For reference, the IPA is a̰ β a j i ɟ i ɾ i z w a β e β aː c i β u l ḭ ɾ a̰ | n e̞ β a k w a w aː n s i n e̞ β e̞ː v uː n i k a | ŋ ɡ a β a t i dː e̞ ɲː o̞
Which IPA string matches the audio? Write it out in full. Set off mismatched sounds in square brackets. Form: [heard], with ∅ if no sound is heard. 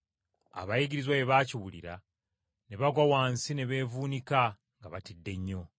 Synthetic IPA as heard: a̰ β a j i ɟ i ɾ i z w a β e β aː c i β u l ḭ ɾ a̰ | n e̞ β a [ɡ] w a w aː n s i n e̞ β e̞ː v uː n i k a | ŋ ɡ a β a t i dː e̞ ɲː o̞